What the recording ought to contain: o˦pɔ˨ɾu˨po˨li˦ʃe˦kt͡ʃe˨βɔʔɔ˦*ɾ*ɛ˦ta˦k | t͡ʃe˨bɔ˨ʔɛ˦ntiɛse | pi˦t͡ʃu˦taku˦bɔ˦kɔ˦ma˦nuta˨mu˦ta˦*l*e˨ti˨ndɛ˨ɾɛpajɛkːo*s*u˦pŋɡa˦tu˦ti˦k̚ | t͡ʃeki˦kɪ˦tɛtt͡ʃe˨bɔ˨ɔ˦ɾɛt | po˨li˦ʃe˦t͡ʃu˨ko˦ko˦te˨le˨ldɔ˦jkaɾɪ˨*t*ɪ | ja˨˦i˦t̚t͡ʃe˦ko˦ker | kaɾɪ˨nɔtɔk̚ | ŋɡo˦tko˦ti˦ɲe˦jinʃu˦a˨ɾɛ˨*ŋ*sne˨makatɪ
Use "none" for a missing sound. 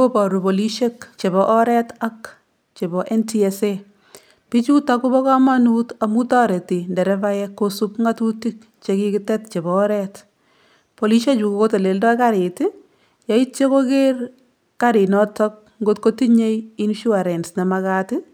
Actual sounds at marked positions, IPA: ɾ, ɾ, s, t, n

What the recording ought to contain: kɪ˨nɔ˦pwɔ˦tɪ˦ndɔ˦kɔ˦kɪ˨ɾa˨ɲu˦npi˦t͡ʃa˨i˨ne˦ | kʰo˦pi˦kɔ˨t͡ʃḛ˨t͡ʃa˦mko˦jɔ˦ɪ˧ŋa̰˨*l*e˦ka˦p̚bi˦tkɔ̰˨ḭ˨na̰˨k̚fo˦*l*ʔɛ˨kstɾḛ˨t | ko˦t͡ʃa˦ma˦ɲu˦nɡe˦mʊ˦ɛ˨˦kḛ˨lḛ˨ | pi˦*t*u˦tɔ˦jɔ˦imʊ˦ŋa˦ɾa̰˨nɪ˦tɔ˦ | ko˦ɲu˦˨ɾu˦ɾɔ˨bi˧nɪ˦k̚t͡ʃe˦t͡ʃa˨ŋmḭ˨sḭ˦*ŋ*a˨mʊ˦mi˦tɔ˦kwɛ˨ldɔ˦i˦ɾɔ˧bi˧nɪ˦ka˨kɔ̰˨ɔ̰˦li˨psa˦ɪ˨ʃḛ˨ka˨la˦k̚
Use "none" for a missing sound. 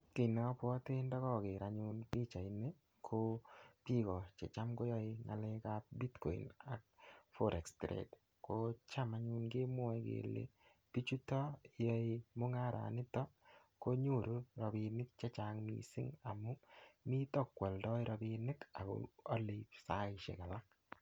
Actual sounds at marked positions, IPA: l, ɾ, t͡ʃ, ŋ

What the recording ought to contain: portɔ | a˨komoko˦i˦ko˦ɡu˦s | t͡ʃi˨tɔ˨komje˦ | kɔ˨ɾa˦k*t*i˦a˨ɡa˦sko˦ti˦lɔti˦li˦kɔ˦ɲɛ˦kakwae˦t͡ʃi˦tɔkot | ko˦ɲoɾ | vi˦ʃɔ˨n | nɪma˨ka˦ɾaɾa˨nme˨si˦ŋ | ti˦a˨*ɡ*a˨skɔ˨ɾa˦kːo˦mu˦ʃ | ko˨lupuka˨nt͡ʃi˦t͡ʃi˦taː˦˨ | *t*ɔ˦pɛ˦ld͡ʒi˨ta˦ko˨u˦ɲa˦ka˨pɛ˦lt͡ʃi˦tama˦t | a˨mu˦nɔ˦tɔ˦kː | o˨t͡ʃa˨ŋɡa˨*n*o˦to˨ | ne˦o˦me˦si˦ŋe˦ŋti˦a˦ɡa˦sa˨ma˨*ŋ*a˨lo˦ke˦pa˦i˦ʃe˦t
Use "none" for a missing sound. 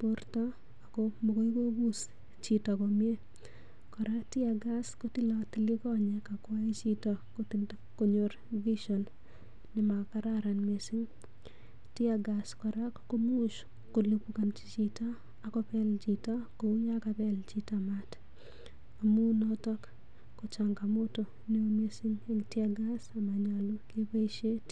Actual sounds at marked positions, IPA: t, ɡ, k, m, ɲ

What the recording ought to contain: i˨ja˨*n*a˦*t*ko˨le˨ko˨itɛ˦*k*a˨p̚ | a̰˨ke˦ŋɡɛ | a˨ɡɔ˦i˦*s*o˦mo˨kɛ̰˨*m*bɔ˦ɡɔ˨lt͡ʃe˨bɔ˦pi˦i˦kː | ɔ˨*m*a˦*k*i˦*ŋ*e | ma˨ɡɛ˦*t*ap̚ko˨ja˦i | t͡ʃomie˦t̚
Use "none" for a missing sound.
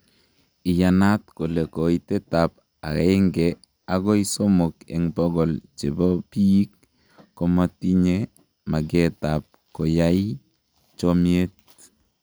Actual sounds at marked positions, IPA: n, t, t, s, ŋ, m, t, ɲ, t

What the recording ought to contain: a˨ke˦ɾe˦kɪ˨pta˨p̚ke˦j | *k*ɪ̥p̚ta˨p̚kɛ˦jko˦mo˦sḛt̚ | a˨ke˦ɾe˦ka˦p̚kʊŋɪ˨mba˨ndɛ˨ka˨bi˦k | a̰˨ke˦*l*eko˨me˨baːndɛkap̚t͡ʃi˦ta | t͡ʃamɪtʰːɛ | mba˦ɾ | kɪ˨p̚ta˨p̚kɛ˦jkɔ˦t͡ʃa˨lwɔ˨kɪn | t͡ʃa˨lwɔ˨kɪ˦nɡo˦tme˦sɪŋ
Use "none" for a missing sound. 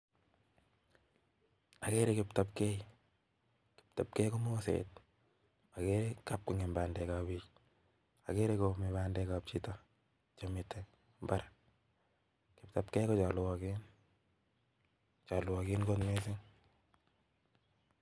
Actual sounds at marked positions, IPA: k, ɾ

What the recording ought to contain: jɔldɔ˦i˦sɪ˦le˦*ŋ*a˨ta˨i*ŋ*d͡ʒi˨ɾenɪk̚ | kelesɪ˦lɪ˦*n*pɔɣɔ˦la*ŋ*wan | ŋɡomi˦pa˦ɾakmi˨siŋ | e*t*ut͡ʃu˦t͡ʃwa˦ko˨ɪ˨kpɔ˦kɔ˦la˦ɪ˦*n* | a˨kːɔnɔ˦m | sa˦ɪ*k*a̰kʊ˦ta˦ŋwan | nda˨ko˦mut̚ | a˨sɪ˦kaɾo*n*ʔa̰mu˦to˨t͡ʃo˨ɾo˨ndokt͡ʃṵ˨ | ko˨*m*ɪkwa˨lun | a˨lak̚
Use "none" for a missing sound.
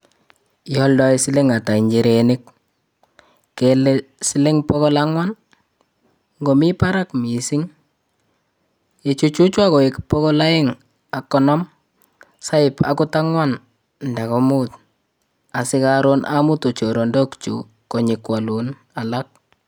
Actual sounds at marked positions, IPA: ŋ, ɲ, ŋ, ŋ, t͡ʃ, ŋ, p, n, ɲ

